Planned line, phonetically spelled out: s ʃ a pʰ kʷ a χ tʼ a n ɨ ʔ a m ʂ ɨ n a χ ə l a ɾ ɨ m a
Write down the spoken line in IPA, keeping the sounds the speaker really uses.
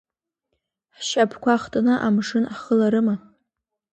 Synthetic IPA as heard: ħ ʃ a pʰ kʷ a χ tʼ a n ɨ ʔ a m ʂ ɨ n a χ ə l a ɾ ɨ m a

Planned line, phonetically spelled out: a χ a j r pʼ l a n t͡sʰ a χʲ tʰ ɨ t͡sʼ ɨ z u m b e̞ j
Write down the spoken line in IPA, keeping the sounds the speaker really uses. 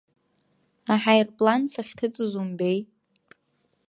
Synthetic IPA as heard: a ħ a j r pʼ l a n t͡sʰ a χʲ tʰ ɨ t͡sʼ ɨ z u m b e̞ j

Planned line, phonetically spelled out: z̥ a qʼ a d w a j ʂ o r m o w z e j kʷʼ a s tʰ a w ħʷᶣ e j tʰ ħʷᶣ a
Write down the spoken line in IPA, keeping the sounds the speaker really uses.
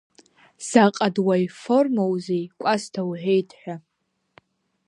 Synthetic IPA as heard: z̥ a qʼ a d w a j f o r m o w z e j kʷʼ a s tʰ a w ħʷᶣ e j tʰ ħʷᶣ a

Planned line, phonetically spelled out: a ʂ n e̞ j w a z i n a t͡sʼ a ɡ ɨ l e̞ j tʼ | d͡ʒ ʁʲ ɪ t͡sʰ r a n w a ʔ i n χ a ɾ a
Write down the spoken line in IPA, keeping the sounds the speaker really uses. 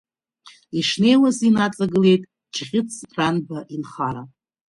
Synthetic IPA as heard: i ʂ n e̞ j w a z i n a t͡sʼ a ɡ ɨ l e̞ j tʼ | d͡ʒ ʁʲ ɪ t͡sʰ r a n b a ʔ i n χ a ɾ a

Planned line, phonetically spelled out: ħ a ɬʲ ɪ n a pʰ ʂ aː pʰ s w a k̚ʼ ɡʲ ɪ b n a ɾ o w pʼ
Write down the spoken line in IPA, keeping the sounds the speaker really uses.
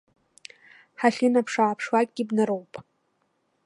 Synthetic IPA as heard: ħ a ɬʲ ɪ n a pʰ ʂ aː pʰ ʂ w a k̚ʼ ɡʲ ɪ b n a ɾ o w pʼ

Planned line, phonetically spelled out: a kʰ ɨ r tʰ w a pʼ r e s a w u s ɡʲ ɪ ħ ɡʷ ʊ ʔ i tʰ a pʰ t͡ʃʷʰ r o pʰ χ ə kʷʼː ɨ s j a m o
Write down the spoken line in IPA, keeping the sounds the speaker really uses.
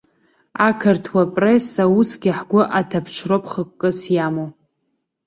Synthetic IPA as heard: a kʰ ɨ r tʰ w a pʼ r e s a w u s ɡʲ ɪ ħ ɡʷ ʊ ʔ a tʰ a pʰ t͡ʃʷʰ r o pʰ χ ə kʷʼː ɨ s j a m o

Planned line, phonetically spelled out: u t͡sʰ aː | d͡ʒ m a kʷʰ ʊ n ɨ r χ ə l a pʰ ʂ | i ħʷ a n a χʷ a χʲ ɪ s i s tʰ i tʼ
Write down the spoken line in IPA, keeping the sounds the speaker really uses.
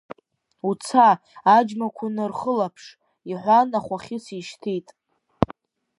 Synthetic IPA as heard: u t͡sʰ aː | d͡ʒ m a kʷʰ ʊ n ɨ r χ ə l a pʰ ʂ | i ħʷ a n a χʷ a χʲ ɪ s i ʃ tʰ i tʼ

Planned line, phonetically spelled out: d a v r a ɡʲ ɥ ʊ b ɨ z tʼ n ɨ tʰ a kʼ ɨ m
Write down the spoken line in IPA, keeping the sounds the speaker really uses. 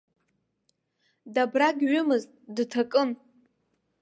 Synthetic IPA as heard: d a b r a ɡʲ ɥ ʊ m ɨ z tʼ d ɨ tʰ a kʼ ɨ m

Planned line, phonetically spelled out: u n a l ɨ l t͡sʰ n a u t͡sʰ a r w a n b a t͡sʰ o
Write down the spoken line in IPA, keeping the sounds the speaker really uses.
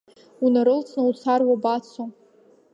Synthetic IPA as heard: u n a ɾ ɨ l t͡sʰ n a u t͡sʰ a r w a b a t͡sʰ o

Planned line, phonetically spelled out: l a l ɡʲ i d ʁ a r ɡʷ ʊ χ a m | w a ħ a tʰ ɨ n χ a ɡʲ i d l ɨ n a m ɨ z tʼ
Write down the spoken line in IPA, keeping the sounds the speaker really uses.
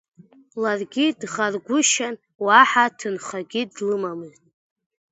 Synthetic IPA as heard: l a r ɡʲ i d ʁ a r ɡʷ ʊ ʃ a n | w a ħ a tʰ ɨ n χ a ɡʲ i d l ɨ m a m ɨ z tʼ

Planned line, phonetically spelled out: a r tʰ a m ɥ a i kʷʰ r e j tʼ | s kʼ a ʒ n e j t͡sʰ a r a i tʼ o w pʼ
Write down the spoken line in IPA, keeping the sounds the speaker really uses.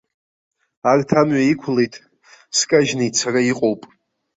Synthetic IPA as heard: a r tʰ a m ɥ a i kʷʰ l e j tʼ | s kʼ a ʒ n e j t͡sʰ a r a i qʼ o w pʼ

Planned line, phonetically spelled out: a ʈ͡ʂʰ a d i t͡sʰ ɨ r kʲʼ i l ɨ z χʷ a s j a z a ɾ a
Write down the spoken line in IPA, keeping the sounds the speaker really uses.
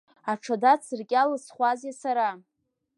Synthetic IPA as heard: a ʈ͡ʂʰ a d a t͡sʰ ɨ r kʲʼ a l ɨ s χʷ a z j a s a ɾ a

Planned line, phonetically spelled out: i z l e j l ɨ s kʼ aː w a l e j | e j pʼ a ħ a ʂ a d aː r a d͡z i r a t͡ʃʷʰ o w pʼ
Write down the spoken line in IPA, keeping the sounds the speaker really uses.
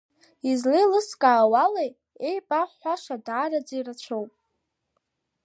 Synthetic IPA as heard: i z l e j l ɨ s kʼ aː w a l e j | e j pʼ a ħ a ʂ a d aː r a d͡z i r a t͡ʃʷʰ o w pʼ

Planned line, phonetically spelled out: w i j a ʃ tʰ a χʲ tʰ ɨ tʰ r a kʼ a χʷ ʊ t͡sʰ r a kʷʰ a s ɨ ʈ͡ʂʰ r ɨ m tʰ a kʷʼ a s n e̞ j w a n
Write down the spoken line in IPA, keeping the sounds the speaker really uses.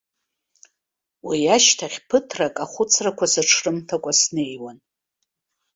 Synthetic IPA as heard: w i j a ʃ tʰ a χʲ pʰ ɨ tʰ r a kʼ a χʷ ʊ t͡sʰ r a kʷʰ a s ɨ ʈ͡ʂʰ r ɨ m tʰ a kʷʼ a s n e̞ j w a n

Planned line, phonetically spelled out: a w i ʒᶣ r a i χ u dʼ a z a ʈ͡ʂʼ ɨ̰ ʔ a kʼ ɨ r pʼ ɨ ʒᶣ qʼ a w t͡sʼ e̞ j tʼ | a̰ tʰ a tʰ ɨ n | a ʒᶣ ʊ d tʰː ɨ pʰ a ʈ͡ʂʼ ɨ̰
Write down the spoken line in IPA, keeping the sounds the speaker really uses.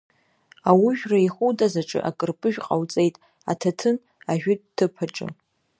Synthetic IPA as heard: a w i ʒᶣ r a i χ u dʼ a z a ʈ͡ʂʼ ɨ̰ ʔ a kʼ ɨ r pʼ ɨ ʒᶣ qʼ a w t͡sʼ e̞ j tʼ | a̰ tʰ a tʰ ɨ n | a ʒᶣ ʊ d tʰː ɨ pʰ a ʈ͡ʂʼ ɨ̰

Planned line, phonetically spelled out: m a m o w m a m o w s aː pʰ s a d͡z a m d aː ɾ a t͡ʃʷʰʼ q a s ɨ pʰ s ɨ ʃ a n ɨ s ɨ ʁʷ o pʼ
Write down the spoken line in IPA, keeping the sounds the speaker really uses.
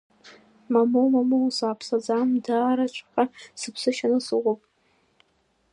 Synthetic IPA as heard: m a m o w m a m o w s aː pʰ s a d͡z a m d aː ɾ a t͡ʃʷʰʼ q a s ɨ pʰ s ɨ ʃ a n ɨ s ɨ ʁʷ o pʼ

